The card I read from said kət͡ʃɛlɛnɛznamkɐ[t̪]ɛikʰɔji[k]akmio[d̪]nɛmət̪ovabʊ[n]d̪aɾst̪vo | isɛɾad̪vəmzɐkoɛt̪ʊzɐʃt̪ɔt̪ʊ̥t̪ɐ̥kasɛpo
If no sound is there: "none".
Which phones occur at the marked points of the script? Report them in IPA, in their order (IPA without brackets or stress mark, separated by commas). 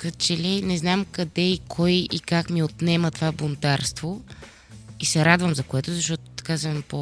d̪, k, t̪, n